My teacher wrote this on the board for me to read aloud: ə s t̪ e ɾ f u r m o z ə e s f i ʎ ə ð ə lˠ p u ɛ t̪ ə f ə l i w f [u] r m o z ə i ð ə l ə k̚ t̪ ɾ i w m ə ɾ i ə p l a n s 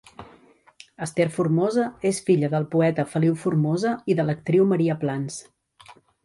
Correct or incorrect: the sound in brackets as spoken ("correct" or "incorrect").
correct